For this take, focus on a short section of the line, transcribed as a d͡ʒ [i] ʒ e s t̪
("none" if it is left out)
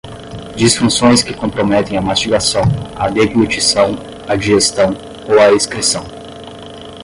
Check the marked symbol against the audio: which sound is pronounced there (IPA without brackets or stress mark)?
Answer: i